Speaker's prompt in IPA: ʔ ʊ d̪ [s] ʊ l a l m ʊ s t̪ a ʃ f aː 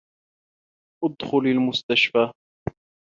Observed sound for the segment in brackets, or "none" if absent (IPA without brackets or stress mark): x